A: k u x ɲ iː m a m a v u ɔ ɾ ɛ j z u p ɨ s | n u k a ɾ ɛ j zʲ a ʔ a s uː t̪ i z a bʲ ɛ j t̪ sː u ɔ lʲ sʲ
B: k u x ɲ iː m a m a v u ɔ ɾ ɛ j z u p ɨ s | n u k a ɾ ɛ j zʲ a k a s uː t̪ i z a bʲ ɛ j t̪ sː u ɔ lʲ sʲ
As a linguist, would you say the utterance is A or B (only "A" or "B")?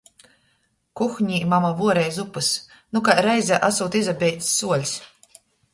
A